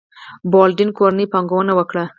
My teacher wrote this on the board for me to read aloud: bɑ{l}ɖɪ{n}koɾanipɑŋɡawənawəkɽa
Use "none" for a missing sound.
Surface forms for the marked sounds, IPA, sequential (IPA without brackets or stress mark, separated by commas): l, n